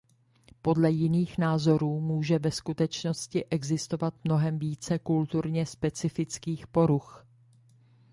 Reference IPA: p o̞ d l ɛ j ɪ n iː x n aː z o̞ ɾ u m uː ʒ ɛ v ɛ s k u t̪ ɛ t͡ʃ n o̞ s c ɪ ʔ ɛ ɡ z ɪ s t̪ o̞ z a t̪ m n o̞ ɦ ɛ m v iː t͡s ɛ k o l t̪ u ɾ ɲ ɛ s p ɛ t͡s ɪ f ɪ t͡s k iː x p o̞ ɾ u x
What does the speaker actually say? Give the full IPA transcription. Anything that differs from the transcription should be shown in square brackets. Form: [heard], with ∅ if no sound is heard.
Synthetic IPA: p o̞ d l ɛ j ɪ n iː x n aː z o̞ ɾ [uː] m uː ʒ ɛ v ɛ s k u t̪ ɛ t͡ʃ n o̞ s c ɪ ʔ ɛ ɡ z ɪ s t̪ o̞ [v] a t̪ m n o̞ ɦ ɛ m v iː t͡s ɛ k [u] l t̪ u ɾ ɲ ɛ s p ɛ t͡s ɪ f ɪ t͡s k iː x p o̞ ɾ u x

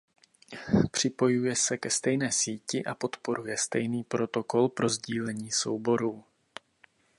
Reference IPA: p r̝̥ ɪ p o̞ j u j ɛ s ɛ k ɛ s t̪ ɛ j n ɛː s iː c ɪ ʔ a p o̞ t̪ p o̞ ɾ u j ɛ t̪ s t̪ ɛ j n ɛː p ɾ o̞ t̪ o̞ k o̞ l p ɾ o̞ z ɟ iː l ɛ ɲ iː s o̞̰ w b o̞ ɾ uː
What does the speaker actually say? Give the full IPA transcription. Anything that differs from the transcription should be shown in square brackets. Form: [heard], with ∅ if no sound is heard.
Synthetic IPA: p r̝̥ ɪ p o̞ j u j ɛ s ɛ k ɛ s t̪ ɛ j n ɛː s iː c ɪ ʔ a p o̞ t̪ p o̞ ɾ u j ɛ [∅] s t̪ ɛ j n [iː] p ɾ o̞ t̪ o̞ k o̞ l p ɾ o̞ z ɟ iː l ɛ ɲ iː s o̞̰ w b o̞ ɾ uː

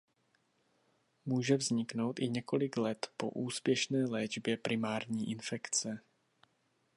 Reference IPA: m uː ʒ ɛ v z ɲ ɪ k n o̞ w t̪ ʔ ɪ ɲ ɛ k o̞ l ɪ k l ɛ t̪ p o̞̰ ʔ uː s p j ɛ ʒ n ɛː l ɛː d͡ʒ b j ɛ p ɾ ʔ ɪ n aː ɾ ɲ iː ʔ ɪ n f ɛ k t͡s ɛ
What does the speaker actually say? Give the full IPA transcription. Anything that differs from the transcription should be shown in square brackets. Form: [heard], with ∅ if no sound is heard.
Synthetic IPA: m uː ʒ ɛ v z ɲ ɪ k n o̞ w t̪ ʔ ɪ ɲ ɛ k o̞ l ɪ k l ɛ t̪ p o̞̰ ʔ uː s p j ɛ [ʃ] n ɛː l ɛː d͡ʒ b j ɛ p ɾ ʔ ɪ [m] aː ɾ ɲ iː ʔ ɪ n f ɛ k t͡s ɛ

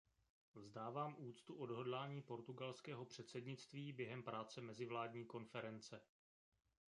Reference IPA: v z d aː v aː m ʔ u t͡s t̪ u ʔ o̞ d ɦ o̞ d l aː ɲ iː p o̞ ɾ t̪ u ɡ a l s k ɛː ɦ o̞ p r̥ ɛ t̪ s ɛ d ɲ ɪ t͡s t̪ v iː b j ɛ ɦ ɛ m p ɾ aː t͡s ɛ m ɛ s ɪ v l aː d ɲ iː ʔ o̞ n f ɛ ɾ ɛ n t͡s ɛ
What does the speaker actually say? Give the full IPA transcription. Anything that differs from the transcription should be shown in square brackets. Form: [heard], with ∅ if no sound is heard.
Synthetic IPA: v z d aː v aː m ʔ [uː] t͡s t̪ u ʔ o̞ d ɦ o̞ d l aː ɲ iː p o̞ ɾ t̪ u ɡ a l s k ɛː ɦ o̞ p r̥ ɛ t̪ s ɛ d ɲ ɪ t͡s t̪ v iː b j ɛ ɦ ɛ m p ɾ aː t͡s ɛ m ɛ [z] ɪ v l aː d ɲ iː [k] o̞ n f ɛ ɾ ɛ n t͡s ɛ

